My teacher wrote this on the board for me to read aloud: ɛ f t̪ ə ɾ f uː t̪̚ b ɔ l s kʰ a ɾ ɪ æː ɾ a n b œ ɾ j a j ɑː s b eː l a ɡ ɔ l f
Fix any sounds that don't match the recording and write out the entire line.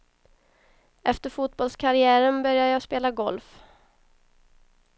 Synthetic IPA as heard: ɛ f t̪ ə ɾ f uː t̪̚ b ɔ l s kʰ a ɾ ɪ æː ɾ ə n b œ ɾ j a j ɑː s p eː l a ɡ ɔ l f